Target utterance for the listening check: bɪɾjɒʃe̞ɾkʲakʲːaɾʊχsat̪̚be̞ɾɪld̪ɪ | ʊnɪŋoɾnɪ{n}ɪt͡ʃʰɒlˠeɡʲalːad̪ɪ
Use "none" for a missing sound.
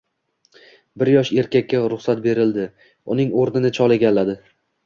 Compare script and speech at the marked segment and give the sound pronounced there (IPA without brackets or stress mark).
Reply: n